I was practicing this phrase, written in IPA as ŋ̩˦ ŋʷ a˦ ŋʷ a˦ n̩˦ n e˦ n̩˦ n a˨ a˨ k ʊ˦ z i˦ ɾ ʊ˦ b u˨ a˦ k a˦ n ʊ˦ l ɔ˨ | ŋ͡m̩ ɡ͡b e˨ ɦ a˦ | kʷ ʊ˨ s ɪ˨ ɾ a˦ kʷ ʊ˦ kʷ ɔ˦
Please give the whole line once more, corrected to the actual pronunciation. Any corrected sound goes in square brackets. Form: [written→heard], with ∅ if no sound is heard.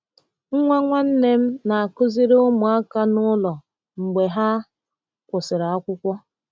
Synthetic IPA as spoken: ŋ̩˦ ŋʷ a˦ ŋʷ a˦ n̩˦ n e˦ [n̩˦→m̩˦] n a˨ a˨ k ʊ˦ z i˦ ɾ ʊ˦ [b→m] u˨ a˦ k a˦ n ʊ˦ l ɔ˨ | ŋ͡m̩ ɡ͡b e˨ ɦ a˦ | kʷ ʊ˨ s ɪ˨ ɾ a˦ kʷ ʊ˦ kʷ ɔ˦